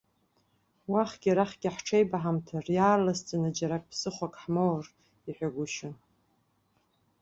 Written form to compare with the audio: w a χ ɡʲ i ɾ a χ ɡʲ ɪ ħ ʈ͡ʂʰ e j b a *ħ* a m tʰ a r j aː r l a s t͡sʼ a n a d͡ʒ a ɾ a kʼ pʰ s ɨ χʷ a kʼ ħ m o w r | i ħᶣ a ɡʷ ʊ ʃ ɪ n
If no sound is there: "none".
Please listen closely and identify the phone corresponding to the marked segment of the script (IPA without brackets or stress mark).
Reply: ħ